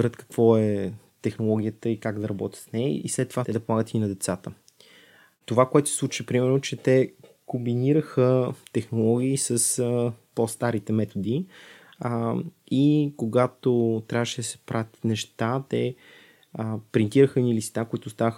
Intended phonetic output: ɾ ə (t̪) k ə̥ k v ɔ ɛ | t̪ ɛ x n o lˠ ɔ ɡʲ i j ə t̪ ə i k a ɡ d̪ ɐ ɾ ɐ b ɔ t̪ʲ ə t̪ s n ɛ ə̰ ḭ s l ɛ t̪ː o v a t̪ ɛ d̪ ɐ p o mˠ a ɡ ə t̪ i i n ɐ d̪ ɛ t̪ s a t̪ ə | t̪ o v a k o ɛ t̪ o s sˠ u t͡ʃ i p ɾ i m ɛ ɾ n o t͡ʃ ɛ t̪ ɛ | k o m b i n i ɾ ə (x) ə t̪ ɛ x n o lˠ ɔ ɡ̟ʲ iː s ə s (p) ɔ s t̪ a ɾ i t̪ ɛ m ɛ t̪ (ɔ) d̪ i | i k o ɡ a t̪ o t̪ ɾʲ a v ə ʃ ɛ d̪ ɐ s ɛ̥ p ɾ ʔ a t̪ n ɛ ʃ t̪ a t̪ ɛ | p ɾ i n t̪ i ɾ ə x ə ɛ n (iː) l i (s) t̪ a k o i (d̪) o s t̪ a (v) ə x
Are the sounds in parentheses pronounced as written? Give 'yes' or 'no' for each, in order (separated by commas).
yes, yes, yes, no, no, yes, no, yes